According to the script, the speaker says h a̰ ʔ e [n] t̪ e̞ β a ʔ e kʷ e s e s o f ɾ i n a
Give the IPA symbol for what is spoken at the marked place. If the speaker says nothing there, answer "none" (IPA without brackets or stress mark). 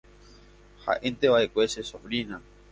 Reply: n